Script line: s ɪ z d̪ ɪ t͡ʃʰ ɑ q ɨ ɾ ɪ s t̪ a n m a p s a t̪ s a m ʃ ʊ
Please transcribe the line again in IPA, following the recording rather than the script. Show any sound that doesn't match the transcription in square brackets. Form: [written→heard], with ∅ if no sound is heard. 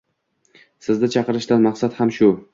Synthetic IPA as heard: s ɪ z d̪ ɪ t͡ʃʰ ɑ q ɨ ɾ ɪ [s→ʃ] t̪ a n m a [p→q] s a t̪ [s→h] a m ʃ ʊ